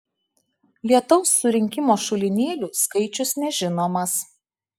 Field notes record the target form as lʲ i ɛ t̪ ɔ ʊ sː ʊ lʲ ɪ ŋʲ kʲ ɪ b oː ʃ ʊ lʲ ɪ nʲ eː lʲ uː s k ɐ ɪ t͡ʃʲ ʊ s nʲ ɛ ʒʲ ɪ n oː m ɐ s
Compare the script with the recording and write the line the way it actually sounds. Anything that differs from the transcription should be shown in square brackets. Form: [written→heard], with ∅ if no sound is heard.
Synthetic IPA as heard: lʲ i ɛ t̪ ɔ ʊ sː ʊ [lʲ→ɾʲ] ɪ ŋʲ kʲ ɪ [b→m] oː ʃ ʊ lʲ ɪ nʲ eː lʲ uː s k ɐ ɪ t͡ʃʲ ʊ s nʲ ɛ ʒʲ ɪ n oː m ɐ s